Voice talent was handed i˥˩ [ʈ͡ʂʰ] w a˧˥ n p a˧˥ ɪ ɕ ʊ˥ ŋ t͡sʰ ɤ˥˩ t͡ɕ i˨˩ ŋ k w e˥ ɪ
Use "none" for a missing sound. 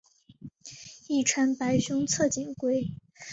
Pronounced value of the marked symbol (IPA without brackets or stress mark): ʈ͡ʂʰ